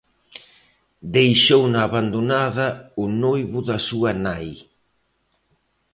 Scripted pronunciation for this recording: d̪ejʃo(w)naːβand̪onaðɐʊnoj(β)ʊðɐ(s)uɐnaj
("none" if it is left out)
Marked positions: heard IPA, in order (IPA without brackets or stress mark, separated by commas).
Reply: w, β, s